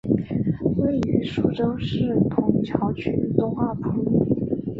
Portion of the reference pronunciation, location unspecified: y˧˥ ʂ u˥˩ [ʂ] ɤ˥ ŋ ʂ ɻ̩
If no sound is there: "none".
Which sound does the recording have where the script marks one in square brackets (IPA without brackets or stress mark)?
ʈ͡ʂ